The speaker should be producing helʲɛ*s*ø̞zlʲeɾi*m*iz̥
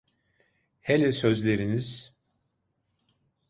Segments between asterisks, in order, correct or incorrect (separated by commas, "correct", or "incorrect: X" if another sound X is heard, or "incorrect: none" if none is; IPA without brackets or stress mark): correct, incorrect: n